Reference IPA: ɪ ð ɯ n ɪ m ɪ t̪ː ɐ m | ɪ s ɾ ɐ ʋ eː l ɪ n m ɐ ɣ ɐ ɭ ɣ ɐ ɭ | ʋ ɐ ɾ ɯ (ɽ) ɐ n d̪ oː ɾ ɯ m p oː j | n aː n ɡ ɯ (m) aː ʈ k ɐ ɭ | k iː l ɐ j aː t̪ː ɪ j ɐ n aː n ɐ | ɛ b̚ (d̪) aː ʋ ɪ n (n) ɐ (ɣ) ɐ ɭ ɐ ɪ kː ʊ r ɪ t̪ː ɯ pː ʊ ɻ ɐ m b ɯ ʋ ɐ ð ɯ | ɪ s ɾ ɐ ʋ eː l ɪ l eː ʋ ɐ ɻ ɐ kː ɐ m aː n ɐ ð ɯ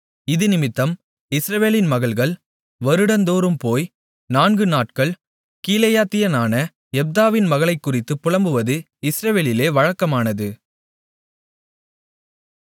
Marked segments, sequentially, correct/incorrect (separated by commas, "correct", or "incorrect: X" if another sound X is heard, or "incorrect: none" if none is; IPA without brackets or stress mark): correct, incorrect: n, correct, incorrect: m, correct